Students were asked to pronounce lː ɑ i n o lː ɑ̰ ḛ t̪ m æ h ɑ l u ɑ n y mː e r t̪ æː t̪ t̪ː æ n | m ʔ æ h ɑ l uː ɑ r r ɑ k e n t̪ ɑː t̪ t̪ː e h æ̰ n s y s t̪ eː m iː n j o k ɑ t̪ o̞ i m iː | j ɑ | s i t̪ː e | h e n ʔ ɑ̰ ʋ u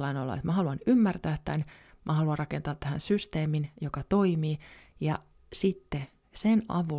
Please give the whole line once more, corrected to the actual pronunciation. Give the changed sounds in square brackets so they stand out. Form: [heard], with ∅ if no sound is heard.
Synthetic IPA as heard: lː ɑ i n o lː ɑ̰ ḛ t̪ m æ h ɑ l u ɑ n y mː [æ] r t̪ æː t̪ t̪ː æ n | m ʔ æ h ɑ l [u] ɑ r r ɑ k e n t̪ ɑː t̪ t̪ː [æ] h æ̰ n s y s t̪ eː m [i] n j o k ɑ t̪ o̞ i m iː | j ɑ | s i t̪ː e | [s] e n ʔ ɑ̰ ʋ u